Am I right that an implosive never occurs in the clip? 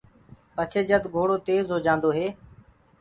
yes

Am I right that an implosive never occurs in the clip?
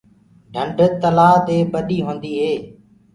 no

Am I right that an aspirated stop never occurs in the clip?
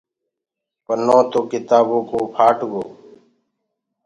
no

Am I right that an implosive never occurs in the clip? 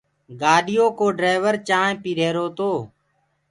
no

